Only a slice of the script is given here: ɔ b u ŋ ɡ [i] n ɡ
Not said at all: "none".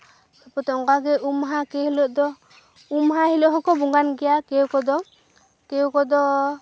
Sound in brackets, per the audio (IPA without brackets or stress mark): a